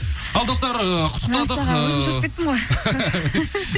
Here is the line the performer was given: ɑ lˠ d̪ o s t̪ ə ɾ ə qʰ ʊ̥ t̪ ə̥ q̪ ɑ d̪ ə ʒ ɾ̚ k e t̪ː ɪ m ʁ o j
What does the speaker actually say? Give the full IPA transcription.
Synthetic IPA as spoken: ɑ lˠ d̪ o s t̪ ɑ ɾ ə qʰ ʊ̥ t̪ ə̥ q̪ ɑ d̪ ə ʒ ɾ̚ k e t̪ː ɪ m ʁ o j

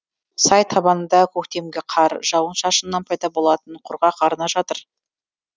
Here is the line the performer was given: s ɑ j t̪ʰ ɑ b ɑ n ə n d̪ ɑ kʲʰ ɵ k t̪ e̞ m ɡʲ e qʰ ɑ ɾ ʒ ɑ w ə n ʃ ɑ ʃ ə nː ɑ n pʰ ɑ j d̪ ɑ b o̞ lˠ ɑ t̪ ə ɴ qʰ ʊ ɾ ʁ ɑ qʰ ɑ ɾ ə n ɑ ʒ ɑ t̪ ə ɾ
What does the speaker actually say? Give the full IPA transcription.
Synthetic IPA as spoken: s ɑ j t̪ʰ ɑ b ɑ n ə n d̪ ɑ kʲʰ ɵ k t̪ e̞ m ɡʲ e qʰ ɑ ɾ ʒ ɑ w ə n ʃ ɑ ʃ ə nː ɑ n pʰ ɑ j d̪ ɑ b o̞ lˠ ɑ t̪ ə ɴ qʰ ʊ ɾ ʁ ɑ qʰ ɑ ɾ ə n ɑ ʒ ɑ t̪ ə ɾ

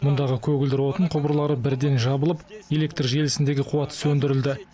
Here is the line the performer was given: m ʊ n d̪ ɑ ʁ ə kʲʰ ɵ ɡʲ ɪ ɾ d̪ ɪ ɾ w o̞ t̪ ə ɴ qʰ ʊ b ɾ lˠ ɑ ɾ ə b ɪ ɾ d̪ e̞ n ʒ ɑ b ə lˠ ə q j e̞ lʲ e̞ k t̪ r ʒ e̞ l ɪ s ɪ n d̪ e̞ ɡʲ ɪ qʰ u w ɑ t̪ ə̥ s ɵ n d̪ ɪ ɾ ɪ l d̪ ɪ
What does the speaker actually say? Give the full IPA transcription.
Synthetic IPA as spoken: m ʊ n d̪ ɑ ʁ ə kʲʰ ɵ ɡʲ ɪ l d̪ ɪ ɾ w o̞ t̪ ə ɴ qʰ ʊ b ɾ lˠ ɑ ɾ ə b ɪ ɾ d̪ e̞ n ʒ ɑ b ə lˠ ə p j e̞ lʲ e̞ k t̪ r ʒ e̞ l ɪ s ɪ n d̪ e̞ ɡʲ ɪ qʰ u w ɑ t̪ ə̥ s ɵ n d̪ ɪ ɾ ɪ l d̪ ɪ

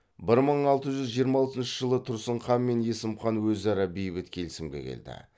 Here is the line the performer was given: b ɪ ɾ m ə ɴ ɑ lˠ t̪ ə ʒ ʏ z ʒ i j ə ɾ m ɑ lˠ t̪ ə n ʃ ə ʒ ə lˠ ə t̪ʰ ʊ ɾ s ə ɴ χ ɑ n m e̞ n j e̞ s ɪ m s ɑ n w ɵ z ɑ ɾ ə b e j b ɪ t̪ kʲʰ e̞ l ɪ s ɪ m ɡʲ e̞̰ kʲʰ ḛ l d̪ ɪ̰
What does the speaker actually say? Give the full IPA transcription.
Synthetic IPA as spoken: b ɪ ɾ m ə ɴ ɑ lˠ t̪ ə ʒ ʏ z ʒ i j ə ɾ m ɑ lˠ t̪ ə n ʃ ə ʒ ə lˠ ə t̪ʰ ʊ ɾ s ə ɴ χ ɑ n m e̞ n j e̞ s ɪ m χ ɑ n w ɵ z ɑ ɾ ɑ b e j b ɪ t̪ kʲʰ e̞ l ɪ s ɪ m ɡʲ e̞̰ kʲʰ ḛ l d̪ ɪ̰

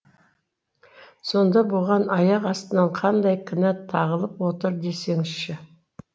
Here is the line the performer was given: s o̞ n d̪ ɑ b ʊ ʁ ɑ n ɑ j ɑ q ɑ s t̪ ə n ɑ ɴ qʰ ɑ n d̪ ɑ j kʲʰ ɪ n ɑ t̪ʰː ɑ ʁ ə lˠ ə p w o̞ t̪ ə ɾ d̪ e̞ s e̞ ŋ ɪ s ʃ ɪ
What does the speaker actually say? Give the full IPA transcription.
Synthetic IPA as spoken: s o̞ n d̪ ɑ b ʊ ʁ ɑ n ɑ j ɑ q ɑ s t̪ ə n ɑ ɴ qʰ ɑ n d̪ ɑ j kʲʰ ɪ n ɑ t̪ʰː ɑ ʁ ə lˠ ə p w o̞ t̪ ə ɾ d̪ e̞ s e̞ ŋ ɪ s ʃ ɪ

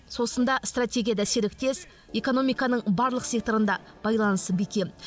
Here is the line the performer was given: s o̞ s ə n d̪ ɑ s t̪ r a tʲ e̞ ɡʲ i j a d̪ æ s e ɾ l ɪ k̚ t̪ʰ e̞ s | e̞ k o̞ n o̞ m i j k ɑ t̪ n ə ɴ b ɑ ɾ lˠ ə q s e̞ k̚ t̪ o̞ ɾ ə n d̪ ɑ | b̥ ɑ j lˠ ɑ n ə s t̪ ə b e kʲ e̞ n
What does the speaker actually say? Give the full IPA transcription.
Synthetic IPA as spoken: s o̞ s ə n d̪ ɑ s t̪ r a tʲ e̞ ɡʲ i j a d̪ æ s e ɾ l ɪ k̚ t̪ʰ e̞ s | e̞ k o̞ n o̞ m i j k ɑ n ə ɴ b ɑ ɾ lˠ ə q s e̞ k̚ t̪ o̞ ɾ ə n d̪ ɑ | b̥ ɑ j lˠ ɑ n ə s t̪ ə b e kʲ e̞ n

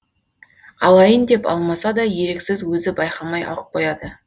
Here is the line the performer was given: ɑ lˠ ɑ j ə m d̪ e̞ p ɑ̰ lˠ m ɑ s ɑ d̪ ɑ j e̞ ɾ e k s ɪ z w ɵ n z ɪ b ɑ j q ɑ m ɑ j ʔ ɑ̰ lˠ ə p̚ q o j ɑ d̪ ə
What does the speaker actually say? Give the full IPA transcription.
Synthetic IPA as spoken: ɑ lˠ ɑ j ə n d̪ e̞ p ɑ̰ lˠ m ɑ s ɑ d̪ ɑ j e̞ ɾ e k s ɪ z w ɵ z ɪ b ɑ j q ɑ m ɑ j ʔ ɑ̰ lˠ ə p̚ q o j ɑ d̪ ə

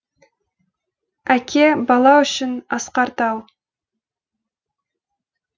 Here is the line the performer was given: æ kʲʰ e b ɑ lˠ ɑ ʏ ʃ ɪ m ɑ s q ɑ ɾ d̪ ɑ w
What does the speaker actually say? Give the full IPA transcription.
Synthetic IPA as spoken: æ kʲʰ e b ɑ lˠ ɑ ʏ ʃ ɪ n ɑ s q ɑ ɾ t̪ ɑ w

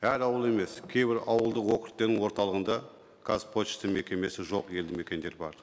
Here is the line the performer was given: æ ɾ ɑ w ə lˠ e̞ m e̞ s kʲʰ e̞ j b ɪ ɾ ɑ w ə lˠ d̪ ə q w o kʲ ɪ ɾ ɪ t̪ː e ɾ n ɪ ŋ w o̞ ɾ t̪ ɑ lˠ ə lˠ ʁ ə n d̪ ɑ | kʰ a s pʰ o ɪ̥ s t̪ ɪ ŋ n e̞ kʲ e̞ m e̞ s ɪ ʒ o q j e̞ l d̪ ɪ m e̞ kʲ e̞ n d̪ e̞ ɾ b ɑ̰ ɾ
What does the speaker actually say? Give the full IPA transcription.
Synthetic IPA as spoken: æ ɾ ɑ w ə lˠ e̞ m e̞ s kʲʰ e̞ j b ɪ ɾ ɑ w ə lˠ d̪ ə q w o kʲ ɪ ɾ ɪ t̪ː e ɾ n ɪ ŋ w o̞ ɾ t̪ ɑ lˠ ə ʁ ə n d̪ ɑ | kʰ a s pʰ o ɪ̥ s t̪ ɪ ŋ m e̞ kʲ e̞ m e̞ s ɪ ʒ o q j e̞ l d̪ ɪ m e̞ kʲ e̞ n d̪ e̞ ɾ b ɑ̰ ɾ

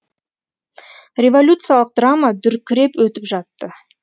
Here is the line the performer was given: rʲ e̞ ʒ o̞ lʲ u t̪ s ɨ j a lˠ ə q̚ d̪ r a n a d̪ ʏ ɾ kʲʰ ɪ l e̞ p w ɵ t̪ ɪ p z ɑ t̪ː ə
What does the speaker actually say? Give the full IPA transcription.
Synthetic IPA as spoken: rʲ e̞ v o̞ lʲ u t̪ s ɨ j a lˠ ə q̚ d̪ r a m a d̪ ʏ ɾ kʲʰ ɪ ɾ e̞ p w ɵ t̪ ɪ p ʒ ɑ t̪ː ə

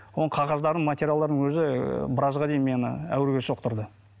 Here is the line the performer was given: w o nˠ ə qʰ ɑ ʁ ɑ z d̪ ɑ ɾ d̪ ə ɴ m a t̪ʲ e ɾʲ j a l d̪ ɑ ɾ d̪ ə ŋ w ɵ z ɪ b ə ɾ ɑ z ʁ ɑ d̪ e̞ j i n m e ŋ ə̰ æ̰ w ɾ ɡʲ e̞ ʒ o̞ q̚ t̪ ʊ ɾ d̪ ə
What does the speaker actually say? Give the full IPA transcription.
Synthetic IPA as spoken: w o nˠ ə qʰ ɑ ʁ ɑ z d̪ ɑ ɾ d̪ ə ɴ m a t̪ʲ e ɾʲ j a l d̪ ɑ ɾ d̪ ə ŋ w ɵ z ɪ b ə ɾ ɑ z ʁ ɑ d̪ e̞ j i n m e n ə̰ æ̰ w ɾ ɡʲ e̞ ʃ o̞ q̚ t̪ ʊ ɾ d̪ ə

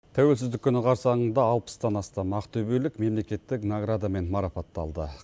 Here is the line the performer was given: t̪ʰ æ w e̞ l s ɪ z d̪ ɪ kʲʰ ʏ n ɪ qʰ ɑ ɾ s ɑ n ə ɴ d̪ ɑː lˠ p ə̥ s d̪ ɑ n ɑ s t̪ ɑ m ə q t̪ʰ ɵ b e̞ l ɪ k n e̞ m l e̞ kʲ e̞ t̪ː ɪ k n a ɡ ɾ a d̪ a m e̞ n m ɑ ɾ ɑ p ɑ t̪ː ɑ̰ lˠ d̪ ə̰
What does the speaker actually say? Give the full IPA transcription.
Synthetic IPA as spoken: t̪ʰ æ w e̞ l s ɪ z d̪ ɪ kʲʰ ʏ n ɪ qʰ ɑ ɾ s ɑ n ə ɴ d̪ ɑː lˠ p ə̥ s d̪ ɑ n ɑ s t̪ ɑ m ɑ q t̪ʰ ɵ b e̞ l ɪ k m e̞ m l e̞ kʲ e̞ t̪ː ɪ k n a ɡ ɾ a d̪ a m e̞ n m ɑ ɾ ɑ p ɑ t̪ː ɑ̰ lˠ d̪ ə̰

